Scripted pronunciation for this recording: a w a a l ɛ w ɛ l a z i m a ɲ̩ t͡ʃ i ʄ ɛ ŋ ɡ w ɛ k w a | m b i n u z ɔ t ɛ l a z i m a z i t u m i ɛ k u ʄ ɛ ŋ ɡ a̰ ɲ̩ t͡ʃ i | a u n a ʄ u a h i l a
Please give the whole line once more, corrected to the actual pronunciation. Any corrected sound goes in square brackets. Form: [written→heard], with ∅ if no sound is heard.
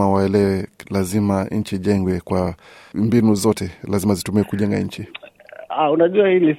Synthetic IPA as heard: a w a [a→ɛ] l ɛ w ɛ l a z i m a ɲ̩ t͡ʃ i ʄ ɛ ŋ ɡ w ɛ k w a | m b i n u z ɔ t ɛ l a z i m a z i t u m i ɛ k u ʄ ɛ ŋ ɡ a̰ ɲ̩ t͡ʃ i | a u n a ʄ u a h i l [a→i]